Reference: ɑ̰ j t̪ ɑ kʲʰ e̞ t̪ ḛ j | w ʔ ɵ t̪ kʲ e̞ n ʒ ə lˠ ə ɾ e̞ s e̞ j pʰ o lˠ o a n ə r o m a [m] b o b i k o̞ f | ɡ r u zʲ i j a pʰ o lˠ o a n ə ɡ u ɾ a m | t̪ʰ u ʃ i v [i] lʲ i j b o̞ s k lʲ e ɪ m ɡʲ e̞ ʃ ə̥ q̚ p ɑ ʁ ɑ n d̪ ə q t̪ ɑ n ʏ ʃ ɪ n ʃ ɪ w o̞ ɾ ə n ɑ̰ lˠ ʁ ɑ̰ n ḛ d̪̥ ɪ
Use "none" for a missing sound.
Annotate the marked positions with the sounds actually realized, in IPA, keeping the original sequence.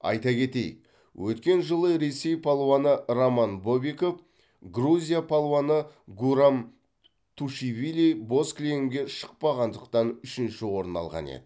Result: n, i

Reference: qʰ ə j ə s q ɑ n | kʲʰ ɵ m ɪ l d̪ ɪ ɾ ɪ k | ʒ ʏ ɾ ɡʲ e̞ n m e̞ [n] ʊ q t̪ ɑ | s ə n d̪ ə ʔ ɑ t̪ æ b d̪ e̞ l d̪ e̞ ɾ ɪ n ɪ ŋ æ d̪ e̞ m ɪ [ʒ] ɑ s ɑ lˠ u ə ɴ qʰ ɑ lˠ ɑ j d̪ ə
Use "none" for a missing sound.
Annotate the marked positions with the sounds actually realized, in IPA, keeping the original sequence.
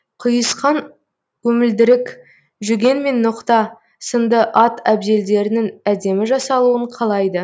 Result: nː, ʒ

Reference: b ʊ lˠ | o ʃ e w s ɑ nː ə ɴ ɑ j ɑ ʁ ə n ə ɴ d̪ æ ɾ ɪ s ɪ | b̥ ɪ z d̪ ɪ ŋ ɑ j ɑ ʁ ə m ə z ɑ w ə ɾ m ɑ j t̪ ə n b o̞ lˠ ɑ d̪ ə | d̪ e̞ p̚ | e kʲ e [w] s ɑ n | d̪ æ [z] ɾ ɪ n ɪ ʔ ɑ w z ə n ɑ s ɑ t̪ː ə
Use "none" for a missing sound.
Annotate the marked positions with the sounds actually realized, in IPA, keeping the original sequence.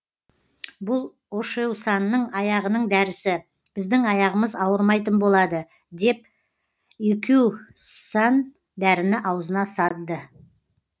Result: w, none

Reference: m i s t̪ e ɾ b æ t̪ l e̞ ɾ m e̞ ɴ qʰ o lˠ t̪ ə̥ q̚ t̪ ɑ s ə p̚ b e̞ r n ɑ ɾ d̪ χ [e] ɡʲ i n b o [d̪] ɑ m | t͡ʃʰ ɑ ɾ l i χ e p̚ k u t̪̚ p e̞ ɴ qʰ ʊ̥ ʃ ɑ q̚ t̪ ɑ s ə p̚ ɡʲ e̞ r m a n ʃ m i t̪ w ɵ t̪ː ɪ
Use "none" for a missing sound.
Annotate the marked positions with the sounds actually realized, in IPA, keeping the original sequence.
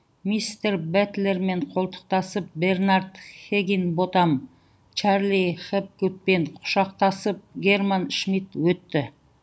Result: e, t̪

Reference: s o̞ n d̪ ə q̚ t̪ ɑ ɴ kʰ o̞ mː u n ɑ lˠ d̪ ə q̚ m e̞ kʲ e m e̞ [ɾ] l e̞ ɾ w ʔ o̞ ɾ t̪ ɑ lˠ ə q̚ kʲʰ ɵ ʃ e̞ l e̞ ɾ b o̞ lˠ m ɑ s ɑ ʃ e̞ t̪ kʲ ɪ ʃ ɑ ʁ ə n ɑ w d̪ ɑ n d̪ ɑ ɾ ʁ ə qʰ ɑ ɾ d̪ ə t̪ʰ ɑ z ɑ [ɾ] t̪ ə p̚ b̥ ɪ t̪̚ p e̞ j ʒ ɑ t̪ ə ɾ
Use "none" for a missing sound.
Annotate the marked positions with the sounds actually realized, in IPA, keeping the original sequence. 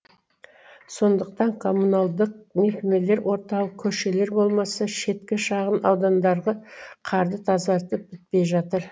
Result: none, ɾ

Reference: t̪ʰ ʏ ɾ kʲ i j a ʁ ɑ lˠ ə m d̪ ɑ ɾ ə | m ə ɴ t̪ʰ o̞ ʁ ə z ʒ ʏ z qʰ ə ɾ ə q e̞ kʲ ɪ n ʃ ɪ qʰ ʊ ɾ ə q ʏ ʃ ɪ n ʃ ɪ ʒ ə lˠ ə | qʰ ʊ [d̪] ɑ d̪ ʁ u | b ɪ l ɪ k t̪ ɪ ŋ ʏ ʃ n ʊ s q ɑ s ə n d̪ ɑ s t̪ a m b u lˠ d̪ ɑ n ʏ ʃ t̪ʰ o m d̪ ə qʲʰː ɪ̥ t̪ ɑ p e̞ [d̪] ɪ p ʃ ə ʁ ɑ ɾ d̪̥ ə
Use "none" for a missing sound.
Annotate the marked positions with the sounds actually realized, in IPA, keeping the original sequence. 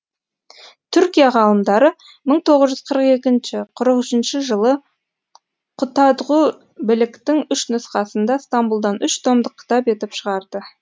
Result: t̪, t̪

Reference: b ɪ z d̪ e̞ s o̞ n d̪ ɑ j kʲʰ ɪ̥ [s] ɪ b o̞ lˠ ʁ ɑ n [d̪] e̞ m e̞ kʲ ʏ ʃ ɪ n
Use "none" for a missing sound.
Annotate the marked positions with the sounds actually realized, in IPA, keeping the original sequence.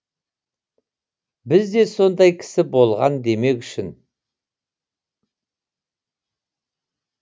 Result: s, d̪

